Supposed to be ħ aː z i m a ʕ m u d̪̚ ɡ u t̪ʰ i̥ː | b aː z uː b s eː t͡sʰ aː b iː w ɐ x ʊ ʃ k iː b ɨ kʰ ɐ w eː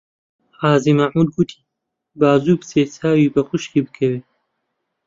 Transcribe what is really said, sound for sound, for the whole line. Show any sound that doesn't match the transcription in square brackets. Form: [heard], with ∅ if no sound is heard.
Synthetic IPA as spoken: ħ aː z i m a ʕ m u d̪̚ ɡ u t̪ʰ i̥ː | b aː z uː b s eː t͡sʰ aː [w] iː [b] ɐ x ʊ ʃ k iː b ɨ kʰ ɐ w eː